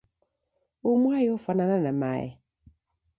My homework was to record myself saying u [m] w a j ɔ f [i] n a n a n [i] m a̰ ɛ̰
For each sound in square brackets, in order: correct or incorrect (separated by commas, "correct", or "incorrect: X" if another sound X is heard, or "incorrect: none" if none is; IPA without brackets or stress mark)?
correct, incorrect: a, incorrect: a